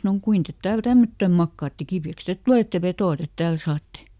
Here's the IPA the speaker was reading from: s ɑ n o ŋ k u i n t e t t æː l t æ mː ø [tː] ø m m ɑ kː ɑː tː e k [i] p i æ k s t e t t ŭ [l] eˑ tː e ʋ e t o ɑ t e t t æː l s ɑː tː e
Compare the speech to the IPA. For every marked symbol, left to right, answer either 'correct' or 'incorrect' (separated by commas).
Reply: correct, correct, correct